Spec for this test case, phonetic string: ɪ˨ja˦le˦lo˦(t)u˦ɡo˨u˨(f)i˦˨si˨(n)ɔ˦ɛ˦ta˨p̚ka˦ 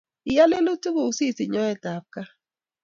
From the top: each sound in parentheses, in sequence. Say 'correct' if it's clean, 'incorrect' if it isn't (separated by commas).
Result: correct, incorrect, incorrect